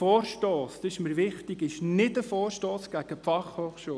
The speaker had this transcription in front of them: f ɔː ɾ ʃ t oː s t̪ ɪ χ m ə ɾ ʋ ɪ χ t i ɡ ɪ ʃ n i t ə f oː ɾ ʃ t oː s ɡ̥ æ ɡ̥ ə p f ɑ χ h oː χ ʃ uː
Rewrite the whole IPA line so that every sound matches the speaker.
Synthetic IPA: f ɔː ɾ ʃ t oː s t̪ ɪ ʃ m ə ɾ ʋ ɪ χ t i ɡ ɪ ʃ n ɪ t ə f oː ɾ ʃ t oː s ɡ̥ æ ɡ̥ ə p f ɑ χ h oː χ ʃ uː